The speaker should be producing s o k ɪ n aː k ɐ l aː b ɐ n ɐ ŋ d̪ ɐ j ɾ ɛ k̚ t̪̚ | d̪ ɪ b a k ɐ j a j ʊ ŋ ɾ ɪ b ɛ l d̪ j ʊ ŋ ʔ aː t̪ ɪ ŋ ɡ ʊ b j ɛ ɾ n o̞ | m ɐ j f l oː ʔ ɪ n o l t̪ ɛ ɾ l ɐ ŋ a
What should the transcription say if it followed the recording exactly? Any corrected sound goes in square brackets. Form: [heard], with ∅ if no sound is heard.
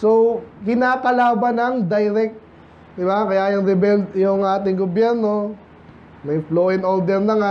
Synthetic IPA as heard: s o k ɪ n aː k ɐ l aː b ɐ n ɐ ŋ d̪ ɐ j ɾ ɛ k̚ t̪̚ | d̪ ɪ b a k ɐ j a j ʊ ŋ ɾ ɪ b ɛ l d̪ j ʊ ŋ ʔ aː t̪ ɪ ŋ ɡ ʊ b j ɛ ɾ n o̞ | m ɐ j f l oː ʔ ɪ n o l [d̪] ɛ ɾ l ɐ ŋ a